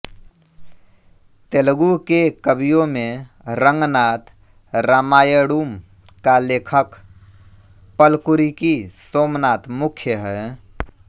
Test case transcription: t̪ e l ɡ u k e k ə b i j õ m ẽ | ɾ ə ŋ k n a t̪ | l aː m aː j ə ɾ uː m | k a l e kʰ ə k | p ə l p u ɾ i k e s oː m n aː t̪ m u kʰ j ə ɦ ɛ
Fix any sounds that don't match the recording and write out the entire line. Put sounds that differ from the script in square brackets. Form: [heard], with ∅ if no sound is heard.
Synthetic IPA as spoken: t̪ e l ɡ u k e k ə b i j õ m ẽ | ɾ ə ŋ [ɡ] n a t̪ | [ɾ] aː m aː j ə [ɽ] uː m | k a l e kʰ ə k | p ə l [k] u ɾ i k [i] s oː m n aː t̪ m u kʰ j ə ɦ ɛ